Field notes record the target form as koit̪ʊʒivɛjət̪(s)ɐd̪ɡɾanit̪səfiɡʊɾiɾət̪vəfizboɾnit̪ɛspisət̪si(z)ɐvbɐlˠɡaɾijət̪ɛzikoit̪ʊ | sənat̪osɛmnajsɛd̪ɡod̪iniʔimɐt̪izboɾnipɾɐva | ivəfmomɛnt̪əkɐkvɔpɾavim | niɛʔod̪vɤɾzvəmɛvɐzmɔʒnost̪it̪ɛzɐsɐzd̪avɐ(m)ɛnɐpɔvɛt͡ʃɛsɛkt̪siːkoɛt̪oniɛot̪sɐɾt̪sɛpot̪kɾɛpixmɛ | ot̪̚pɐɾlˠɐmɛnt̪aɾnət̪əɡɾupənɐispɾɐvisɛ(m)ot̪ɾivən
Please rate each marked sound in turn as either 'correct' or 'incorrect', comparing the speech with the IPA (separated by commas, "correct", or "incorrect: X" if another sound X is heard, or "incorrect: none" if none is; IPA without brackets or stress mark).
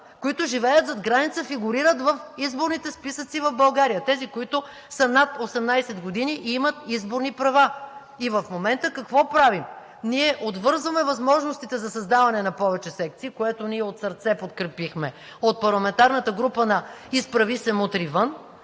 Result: incorrect: z, incorrect: v, incorrect: n, correct